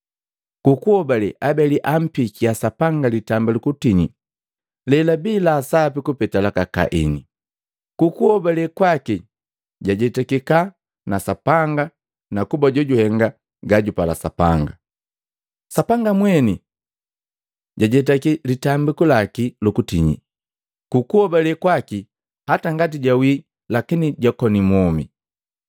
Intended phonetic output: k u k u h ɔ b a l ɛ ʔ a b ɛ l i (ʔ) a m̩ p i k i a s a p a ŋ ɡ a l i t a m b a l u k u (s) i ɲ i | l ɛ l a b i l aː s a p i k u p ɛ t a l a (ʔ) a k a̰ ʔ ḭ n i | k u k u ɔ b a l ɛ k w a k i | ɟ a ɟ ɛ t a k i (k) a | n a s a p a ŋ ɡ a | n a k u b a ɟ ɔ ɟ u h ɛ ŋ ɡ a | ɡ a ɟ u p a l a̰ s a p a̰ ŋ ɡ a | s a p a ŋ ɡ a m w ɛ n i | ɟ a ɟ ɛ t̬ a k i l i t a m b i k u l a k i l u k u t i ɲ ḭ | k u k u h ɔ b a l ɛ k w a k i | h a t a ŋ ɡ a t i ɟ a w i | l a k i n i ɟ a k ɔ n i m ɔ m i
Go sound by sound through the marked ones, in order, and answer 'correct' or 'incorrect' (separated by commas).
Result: correct, incorrect, incorrect, correct